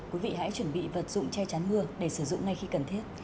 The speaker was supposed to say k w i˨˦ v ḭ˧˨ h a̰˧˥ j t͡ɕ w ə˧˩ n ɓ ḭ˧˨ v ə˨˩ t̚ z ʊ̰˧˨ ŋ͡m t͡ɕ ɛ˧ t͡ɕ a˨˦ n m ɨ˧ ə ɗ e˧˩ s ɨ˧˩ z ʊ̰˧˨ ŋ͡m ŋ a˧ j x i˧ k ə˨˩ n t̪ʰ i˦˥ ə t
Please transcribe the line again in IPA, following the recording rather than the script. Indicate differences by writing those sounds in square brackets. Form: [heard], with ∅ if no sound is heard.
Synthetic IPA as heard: k w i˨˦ v ḭ˧˨ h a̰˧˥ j t͡ɕ w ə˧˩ n ɓ ḭ˧˨ v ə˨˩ t̚ z ʊ̰˧˨ ŋ͡m t͡ɕ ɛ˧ t͡ɕ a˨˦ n m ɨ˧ ə ɗ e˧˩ s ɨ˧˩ z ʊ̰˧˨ ŋ͡m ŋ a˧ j x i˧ k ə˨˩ n t̪ʰ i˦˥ ə t

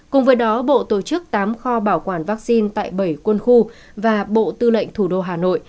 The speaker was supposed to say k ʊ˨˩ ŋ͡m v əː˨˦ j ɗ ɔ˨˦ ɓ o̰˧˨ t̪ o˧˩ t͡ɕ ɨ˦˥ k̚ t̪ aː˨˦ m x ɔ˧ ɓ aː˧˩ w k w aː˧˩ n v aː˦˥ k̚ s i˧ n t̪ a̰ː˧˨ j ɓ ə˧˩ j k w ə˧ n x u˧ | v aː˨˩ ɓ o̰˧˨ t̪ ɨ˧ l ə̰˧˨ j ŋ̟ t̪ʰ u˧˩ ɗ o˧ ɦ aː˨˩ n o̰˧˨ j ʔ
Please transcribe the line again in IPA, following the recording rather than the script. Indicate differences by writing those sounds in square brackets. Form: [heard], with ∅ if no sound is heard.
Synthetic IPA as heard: k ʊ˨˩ ŋ͡m v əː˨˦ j ɗ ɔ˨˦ ɓ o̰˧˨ t̪ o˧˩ t͡ɕ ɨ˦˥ k̚ t̪ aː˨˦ m x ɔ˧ ɓ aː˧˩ w k w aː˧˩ n v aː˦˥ k̚ s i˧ n t̪ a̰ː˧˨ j ɓ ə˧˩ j k w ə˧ n x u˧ | v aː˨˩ ɓ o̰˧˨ t̪ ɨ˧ l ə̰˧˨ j ŋ̟ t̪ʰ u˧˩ ɗ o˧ ɦ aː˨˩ n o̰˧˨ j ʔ

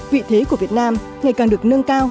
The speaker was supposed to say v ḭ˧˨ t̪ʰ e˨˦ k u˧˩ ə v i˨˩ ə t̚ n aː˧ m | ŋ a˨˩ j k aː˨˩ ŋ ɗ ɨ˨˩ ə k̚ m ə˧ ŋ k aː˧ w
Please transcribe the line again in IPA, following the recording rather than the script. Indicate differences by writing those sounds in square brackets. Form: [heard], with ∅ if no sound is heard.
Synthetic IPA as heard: v ḭ˧˨ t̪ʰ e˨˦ k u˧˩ ə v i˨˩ ə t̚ n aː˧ m | ŋ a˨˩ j k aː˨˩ ŋ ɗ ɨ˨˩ ə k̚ [n] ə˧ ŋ k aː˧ w

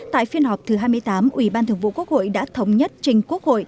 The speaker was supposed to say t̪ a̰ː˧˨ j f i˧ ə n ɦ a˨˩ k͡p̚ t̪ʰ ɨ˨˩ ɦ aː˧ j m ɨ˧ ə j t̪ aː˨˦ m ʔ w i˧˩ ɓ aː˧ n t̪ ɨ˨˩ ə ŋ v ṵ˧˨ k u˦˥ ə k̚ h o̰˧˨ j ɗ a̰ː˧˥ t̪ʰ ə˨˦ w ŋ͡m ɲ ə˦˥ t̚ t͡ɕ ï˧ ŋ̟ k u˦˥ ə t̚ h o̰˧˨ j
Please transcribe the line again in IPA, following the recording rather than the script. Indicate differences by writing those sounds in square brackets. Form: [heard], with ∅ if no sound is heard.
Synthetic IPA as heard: t̪ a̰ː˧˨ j f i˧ ə n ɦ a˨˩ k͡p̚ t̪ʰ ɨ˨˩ ɦ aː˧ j m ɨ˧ ə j t̪ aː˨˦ m ʔ w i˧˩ ɓ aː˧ n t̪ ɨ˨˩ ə ŋ v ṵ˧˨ k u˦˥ ə k̚ h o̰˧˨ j ɗ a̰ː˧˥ t̪ʰ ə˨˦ w ŋ͡m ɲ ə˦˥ t̚ t͡ɕ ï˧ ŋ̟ k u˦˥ ə [k̚] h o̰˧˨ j

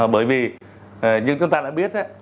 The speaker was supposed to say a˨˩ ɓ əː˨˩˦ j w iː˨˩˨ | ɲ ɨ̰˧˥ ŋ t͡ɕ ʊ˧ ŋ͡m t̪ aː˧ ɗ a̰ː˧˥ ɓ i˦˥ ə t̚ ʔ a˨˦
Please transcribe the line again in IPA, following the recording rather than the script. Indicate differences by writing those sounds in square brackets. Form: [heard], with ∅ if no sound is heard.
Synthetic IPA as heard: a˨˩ ɓ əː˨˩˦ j [v] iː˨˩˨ | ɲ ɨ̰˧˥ ŋ t͡ɕ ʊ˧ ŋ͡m t̪ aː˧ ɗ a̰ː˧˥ ɓ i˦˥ ə t̚ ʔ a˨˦

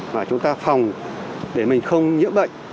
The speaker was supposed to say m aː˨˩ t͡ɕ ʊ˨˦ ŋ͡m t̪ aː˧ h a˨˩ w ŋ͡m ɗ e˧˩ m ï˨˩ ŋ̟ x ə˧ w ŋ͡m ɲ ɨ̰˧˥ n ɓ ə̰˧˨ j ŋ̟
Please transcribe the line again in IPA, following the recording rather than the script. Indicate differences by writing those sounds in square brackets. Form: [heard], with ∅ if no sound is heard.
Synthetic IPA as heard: m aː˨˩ t͡ɕ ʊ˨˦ ŋ͡m t̪ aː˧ [f] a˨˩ w ŋ͡m ɗ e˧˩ m ï˨˩ ŋ̟ x ə˧ w ŋ͡m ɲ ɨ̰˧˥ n ɓ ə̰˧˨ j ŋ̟

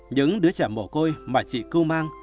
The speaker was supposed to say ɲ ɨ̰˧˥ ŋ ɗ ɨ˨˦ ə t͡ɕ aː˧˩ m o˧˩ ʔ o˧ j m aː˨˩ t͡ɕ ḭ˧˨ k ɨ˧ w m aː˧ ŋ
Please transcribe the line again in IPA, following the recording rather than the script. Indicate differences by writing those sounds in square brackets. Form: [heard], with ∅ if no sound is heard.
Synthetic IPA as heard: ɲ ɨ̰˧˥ ŋ ɗ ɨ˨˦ ə t͡ɕ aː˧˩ m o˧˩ [k] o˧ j m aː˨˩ t͡ɕ ḭ˧˨ k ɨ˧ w m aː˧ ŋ

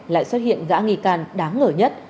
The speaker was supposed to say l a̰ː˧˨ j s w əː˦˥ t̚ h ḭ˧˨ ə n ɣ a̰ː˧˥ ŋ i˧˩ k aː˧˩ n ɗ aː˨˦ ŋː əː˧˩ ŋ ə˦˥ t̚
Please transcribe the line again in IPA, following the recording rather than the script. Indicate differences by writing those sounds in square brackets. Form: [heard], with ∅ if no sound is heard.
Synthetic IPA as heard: l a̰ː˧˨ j s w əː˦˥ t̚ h ḭ˧˨ ə n ɣ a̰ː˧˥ ŋ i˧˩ k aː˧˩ n ɗ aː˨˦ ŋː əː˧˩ [ɲ] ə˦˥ t̚

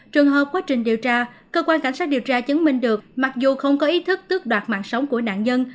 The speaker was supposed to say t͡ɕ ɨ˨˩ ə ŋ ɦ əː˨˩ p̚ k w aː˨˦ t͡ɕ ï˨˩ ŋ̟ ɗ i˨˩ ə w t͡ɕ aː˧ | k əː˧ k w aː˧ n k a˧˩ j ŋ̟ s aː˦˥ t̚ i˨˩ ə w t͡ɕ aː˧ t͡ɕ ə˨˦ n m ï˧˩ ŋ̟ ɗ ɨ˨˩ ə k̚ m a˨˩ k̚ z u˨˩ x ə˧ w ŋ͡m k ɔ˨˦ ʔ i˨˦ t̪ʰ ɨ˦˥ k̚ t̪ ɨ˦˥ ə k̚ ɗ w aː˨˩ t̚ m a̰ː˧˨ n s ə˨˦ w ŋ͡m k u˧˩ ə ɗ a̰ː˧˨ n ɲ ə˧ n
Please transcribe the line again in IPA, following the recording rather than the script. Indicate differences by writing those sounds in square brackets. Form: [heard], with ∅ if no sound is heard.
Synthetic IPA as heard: t͡ɕ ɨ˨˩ ə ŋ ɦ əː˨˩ p̚ k w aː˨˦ t͡ɕ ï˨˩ ŋ̟ ɗ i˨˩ ə w t͡ɕ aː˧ | k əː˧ k w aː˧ n k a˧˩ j ŋ̟ s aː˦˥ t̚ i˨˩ ə w t͡ɕ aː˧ t͡ɕ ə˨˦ n m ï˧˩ ŋ̟ ɗ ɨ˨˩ ə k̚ m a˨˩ k̚ z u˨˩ x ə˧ w ŋ͡m k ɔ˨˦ ʔ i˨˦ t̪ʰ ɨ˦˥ k̚ t̪ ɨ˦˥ ə k̚ ɗ w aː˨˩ t̚ m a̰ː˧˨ n s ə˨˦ w ŋ͡m k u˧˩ ə ɗ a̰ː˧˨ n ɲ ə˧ n

